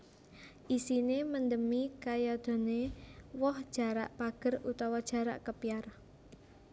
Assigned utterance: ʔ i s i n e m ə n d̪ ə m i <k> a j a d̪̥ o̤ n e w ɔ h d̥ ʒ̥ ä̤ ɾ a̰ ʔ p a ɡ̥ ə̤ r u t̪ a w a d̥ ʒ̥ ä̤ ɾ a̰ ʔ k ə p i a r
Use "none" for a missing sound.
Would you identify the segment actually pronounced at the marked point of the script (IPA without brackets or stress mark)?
k